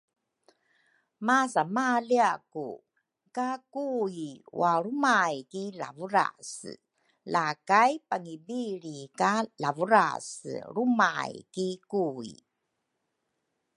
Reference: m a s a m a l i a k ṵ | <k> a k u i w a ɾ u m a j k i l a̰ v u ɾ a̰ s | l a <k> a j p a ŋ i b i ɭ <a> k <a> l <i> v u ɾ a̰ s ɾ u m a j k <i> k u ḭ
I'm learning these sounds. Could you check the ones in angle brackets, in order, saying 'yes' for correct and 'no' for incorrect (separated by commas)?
yes, yes, no, yes, no, yes